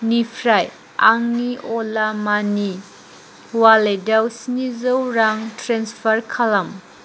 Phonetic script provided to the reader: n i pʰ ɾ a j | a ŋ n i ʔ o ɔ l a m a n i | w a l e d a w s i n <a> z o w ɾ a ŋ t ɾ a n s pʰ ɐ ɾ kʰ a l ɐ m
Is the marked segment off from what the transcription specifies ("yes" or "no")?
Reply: yes